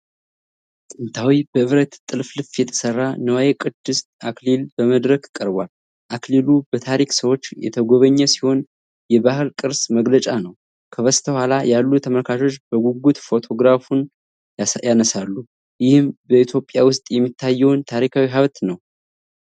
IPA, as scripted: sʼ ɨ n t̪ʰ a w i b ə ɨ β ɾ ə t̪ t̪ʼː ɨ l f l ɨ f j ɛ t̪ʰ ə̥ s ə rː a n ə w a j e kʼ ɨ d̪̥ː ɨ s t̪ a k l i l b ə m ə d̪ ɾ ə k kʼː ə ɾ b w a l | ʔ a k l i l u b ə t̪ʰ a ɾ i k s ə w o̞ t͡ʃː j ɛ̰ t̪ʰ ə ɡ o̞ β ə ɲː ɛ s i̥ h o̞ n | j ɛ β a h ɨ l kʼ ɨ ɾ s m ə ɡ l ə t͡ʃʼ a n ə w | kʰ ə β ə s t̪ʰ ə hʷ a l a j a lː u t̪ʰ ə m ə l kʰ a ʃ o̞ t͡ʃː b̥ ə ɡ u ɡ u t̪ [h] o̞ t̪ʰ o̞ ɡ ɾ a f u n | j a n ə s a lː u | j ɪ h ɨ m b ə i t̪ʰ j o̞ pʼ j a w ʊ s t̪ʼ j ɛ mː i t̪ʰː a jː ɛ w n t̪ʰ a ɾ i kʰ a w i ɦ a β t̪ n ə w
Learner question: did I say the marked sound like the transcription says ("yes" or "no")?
no